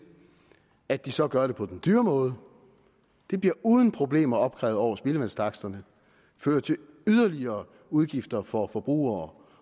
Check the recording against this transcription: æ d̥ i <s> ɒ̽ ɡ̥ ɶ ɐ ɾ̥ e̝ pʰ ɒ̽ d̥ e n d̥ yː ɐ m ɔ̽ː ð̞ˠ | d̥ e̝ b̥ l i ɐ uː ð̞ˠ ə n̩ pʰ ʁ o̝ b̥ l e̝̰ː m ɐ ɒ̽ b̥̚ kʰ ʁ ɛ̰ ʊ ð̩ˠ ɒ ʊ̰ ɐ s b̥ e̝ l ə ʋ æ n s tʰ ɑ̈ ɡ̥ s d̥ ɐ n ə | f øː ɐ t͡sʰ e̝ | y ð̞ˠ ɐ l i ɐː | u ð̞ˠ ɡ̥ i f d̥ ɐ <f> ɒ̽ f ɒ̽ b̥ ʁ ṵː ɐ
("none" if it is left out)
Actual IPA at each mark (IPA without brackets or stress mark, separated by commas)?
s, f